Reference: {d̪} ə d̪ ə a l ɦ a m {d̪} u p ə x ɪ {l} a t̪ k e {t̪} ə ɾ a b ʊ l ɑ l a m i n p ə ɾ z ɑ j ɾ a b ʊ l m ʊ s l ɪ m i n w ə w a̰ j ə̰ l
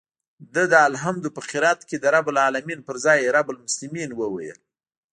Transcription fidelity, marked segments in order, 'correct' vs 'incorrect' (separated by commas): correct, correct, incorrect, incorrect